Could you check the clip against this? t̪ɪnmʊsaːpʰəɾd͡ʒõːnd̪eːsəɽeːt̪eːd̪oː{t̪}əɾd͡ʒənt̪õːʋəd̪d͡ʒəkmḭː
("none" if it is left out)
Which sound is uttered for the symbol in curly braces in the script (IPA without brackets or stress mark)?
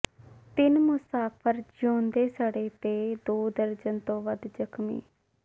d̪